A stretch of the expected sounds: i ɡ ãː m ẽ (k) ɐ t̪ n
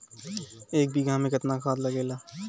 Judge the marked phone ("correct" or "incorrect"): correct